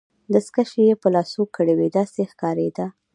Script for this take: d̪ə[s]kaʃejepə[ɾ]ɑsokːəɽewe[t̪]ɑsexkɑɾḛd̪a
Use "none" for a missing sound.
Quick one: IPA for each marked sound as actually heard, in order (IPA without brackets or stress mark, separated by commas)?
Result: s, l, d̪